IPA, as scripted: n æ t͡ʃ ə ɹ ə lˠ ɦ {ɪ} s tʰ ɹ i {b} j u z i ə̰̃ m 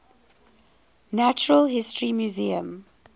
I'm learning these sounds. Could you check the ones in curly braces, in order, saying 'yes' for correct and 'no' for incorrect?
yes, no

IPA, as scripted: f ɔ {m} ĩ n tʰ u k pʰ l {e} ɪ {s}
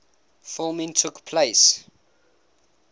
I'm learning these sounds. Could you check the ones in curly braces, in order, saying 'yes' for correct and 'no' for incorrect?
yes, yes, yes

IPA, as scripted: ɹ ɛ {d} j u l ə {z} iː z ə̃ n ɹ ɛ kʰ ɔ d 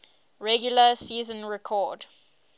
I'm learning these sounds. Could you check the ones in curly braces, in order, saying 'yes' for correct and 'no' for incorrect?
no, no

